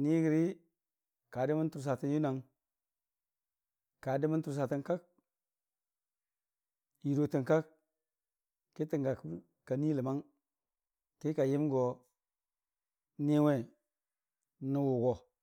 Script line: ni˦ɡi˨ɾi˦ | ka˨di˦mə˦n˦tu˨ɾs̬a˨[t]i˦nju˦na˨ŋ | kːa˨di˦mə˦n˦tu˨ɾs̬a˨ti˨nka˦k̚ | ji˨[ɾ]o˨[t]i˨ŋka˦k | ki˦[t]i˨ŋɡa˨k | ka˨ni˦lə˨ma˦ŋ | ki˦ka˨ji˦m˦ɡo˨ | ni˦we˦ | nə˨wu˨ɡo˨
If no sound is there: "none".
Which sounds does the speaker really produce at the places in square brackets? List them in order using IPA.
t, ɾ, t, t

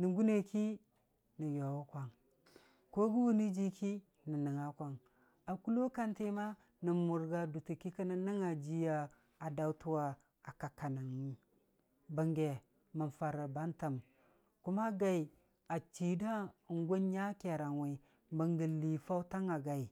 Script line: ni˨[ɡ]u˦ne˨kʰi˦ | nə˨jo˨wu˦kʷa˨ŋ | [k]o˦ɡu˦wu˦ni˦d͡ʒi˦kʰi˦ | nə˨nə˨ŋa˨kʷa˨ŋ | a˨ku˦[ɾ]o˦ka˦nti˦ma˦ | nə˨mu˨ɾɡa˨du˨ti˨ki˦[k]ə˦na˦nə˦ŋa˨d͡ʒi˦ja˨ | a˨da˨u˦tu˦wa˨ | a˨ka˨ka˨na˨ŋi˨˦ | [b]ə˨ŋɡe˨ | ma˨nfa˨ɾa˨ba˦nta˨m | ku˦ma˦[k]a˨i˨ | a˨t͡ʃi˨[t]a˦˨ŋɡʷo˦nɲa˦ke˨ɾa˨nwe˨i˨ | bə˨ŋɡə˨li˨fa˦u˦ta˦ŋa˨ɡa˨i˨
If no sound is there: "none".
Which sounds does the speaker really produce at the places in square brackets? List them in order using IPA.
ɡ, k, l, k, b, ɡ, d

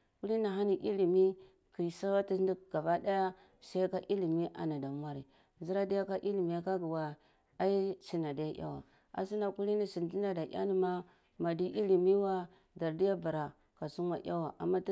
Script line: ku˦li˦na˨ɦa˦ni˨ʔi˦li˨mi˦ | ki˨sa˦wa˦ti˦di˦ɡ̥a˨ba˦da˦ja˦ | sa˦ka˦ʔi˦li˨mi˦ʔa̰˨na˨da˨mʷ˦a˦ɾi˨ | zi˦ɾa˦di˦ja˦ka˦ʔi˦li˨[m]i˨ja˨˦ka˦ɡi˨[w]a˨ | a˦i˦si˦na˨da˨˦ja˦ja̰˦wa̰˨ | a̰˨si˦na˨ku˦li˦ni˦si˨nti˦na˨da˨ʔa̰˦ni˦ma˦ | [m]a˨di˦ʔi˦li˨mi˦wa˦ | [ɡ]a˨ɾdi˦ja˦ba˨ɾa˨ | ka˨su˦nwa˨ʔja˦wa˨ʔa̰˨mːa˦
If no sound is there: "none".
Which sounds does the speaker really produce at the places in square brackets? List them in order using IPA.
m, w, m, d

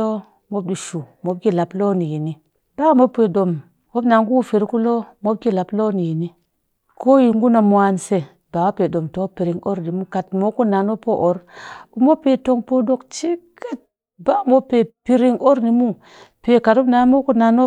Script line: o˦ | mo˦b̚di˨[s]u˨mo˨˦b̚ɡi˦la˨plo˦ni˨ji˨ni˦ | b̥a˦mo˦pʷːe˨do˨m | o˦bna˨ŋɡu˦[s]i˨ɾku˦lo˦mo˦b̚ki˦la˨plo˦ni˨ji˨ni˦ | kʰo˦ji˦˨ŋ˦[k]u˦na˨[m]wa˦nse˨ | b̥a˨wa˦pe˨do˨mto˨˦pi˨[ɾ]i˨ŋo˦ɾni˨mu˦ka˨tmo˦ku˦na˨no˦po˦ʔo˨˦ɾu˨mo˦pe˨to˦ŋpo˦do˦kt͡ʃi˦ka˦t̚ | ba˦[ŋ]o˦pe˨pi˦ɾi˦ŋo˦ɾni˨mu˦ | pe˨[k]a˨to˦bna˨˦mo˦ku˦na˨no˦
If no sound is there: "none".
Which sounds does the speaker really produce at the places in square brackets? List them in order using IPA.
ʃ, f, ɡ, m, ɾ, m, k

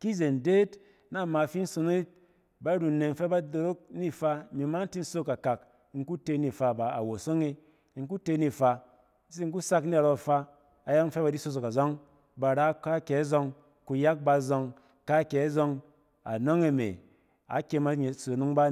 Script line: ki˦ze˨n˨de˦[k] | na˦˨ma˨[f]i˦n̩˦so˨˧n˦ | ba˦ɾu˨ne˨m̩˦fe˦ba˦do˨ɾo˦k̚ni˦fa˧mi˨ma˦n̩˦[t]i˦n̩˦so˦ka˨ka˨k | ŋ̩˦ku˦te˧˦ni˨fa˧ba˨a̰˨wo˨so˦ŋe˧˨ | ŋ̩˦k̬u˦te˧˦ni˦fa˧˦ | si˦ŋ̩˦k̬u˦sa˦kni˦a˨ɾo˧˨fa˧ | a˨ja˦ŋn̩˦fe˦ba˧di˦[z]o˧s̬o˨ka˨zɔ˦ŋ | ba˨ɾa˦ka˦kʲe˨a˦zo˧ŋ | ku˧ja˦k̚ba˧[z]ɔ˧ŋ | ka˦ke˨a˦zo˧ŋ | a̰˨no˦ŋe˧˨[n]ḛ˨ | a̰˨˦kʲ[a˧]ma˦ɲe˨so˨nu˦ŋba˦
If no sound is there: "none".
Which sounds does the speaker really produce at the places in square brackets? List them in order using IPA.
t, f, t, s, z, m, e˧

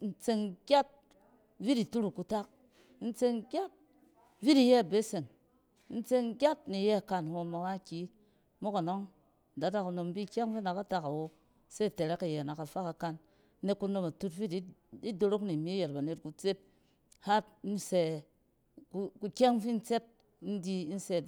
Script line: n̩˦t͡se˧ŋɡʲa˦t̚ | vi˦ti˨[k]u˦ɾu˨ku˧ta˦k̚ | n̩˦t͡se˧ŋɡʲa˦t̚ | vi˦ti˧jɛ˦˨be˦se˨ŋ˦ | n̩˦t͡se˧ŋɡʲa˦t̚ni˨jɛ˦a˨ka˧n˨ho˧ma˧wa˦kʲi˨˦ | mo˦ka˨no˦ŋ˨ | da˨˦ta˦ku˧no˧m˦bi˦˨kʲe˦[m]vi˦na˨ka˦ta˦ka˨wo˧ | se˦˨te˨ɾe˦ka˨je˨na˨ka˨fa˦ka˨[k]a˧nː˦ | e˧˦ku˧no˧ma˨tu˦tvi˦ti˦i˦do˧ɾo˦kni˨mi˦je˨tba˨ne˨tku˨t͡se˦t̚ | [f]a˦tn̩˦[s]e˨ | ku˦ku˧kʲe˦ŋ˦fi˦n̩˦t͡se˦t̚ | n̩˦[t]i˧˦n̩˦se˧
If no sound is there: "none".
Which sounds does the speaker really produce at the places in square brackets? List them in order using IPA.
t, ŋ, k, h, s, d

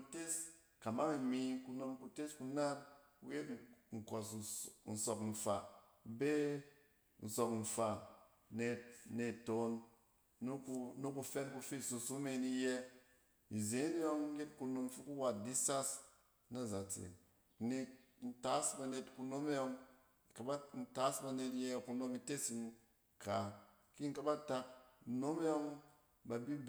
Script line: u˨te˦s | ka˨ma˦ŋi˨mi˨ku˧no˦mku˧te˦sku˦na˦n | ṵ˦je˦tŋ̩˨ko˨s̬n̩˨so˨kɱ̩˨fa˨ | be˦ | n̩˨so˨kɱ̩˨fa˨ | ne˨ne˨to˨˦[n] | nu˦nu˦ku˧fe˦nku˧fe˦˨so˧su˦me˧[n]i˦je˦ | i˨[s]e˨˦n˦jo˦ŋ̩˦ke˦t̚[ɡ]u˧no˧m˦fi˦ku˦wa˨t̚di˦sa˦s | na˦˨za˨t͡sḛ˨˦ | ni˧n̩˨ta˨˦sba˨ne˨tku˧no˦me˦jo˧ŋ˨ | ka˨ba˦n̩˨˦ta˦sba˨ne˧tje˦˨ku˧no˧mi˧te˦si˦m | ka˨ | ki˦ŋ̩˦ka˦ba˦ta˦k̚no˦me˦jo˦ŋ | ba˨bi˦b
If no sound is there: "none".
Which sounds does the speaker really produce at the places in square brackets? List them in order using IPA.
n, n, z, k

